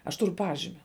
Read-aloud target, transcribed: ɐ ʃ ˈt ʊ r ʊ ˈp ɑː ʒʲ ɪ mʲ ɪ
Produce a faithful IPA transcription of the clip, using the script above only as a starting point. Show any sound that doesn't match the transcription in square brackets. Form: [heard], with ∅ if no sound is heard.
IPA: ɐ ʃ ˈt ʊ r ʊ ˈp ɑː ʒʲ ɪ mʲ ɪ